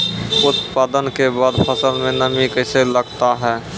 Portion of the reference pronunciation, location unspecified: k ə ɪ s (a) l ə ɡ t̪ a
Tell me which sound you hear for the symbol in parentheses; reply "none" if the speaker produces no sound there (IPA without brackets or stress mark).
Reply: e